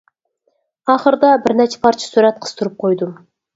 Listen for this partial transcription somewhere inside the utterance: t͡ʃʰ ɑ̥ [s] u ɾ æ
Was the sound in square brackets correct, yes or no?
yes